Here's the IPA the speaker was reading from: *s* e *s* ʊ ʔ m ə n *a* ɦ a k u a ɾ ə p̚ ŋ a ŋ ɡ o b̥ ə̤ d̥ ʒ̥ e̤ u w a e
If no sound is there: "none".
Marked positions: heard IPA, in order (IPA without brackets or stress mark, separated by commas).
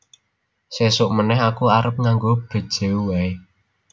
s, s, ɛ